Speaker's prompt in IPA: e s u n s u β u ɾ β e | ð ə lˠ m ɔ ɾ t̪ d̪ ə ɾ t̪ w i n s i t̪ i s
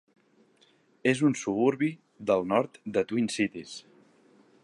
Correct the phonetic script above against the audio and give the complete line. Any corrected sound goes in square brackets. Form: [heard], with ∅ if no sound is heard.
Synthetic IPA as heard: e [z] u n s u β u ɾ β [i] | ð ə lˠ [n] ɔ ɾ t̪ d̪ ə [∅] t̪ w i n s i t̪ i s